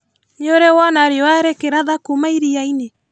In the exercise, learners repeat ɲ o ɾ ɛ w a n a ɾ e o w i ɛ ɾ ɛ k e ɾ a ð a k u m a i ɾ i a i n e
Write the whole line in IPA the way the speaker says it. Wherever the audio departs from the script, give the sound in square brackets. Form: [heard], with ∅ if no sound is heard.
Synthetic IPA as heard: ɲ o ɾ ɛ w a n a ɾ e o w [a] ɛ ɾ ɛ k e ɾ a ð a k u m a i ɾ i a i n e